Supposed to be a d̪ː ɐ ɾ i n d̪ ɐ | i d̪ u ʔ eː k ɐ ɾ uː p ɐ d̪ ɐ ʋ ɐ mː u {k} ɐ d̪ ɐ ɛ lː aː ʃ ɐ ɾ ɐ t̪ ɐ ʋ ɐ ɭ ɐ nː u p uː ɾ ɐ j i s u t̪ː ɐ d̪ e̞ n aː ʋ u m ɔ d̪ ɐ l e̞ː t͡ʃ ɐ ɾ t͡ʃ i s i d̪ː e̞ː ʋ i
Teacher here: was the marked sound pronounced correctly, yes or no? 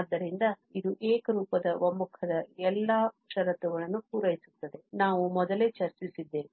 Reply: no